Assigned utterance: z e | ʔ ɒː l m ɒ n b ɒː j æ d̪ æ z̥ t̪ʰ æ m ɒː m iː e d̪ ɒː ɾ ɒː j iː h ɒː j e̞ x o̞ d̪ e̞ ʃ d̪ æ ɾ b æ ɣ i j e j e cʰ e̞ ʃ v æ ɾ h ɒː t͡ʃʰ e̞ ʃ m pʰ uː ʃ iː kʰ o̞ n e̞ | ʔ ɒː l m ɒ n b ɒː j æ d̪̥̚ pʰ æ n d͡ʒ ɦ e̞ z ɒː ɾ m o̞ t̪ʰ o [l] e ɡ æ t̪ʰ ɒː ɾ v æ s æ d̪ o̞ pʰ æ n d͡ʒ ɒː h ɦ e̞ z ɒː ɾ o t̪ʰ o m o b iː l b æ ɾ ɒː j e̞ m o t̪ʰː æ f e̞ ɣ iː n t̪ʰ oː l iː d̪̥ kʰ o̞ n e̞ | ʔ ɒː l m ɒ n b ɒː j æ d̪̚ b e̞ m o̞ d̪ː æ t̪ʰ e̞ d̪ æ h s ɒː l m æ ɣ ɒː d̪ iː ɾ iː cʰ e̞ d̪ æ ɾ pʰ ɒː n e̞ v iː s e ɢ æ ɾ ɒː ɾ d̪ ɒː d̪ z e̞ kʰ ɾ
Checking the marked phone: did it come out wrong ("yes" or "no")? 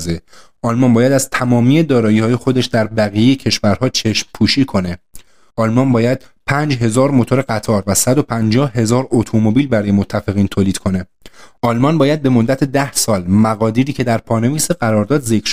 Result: yes